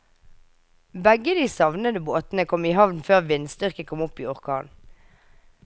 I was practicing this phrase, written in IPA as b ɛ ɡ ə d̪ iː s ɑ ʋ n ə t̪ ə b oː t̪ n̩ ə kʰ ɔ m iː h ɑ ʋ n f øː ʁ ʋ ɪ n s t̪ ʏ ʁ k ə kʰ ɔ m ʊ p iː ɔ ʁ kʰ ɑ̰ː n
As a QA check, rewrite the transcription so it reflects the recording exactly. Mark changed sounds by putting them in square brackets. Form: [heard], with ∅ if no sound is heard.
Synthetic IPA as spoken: b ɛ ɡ ə d̪ iː s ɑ ʋ n ə [d̪] ə b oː t̪ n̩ ə kʰ ɔ m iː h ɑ ʋ n f øː ʁ ʋ ɪ n s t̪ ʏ ʁ k ə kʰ ɔ m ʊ p iː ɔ ʁ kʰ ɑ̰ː n